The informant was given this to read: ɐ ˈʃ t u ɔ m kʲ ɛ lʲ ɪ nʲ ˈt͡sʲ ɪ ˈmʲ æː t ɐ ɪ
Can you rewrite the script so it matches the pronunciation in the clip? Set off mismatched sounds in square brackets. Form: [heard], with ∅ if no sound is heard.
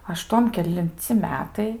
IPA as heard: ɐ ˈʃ t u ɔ m kʲ ɛ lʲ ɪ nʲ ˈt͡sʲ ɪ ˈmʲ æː t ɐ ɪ